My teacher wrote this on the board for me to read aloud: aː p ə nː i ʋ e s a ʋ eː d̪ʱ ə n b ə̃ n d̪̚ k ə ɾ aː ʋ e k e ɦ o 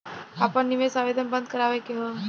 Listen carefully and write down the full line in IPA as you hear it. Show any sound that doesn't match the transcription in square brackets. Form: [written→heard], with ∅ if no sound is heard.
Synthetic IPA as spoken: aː p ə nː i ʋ e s a ʋ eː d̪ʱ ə n b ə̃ n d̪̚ k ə ɾ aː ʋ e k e ɦ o